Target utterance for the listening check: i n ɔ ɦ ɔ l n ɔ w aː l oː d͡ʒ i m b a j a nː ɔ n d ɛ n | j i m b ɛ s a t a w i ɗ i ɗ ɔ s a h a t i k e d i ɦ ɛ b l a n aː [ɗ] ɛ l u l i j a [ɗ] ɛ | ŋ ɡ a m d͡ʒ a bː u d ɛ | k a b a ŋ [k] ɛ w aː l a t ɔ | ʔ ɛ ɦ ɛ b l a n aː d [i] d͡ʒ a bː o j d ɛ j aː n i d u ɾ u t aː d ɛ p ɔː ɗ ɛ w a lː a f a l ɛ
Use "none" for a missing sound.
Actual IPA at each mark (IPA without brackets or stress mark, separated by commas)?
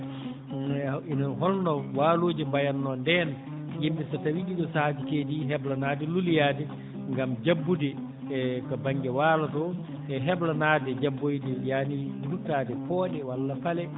d, d, ɡ, ɛ